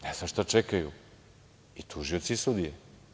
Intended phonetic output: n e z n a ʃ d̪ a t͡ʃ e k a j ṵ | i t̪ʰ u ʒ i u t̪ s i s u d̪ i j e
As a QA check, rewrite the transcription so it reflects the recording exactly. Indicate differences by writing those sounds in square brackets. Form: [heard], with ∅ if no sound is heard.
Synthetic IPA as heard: n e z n a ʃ [t̪] a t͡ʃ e k a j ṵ | i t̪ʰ u ʒ i [o] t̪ s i s u d̪ i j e